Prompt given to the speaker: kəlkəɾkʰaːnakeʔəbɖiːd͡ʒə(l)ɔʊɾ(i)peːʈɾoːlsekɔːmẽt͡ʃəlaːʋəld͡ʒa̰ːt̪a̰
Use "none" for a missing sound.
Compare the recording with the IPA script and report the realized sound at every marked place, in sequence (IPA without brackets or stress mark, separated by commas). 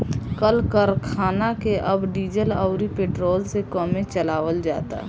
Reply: l, i